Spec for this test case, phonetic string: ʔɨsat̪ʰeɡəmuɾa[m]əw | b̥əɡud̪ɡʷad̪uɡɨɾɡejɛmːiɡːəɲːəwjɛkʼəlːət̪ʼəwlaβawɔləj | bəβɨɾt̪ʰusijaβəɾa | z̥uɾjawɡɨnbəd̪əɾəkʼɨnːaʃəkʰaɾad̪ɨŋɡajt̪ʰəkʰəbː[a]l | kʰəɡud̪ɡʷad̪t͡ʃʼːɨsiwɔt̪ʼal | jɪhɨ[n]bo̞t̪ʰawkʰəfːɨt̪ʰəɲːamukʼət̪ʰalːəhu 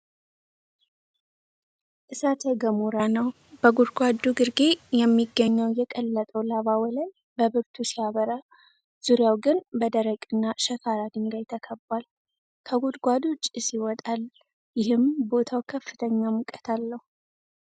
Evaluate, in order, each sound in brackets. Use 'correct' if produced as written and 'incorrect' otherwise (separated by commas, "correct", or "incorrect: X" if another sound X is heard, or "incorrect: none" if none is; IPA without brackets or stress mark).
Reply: incorrect: n, correct, incorrect: m